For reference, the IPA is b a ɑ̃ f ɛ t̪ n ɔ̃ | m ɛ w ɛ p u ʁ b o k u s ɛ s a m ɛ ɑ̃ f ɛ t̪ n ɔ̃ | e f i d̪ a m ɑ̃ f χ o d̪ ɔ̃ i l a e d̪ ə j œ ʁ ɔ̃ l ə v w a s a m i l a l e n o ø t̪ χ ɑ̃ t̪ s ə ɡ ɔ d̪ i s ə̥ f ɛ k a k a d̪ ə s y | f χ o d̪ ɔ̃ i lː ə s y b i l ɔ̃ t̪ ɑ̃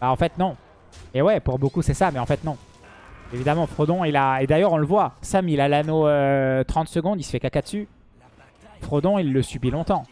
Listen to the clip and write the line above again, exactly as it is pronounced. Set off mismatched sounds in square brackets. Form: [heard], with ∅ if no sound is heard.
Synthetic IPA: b a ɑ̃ f ɛ t̪ n ɔ̃ | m ɛ w ɛ p u ʁ b o k u s ɛ s a m ɛ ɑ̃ f ɛ t̪ n ɔ̃ | e [v] i d̪ a m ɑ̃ f χ o d̪ ɔ̃ i l a e d̪ [a] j œ ʁ ɔ̃ l ə v w a s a m i l a l [a] n o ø t̪ χ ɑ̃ t̪ s ə ɡ [ɔ̃] d̪ i s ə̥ f ɛ k a k a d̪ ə s y | f χ o d̪ ɔ̃ i lː ə s y b i l ɔ̃ t̪ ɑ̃